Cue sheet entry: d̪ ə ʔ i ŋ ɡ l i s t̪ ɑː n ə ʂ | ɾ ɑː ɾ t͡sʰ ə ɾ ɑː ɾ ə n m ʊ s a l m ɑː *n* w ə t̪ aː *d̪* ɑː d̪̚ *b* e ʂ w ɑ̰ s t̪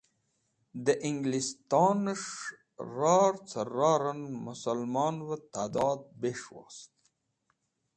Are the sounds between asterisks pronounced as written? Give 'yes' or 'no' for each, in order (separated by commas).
yes, yes, yes